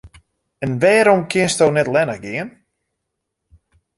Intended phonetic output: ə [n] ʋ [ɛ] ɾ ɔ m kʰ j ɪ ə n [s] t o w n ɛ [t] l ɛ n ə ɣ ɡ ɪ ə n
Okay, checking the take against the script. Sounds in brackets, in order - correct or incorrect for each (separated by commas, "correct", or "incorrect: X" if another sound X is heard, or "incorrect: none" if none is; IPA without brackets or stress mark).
correct, incorrect: ɛː, correct, correct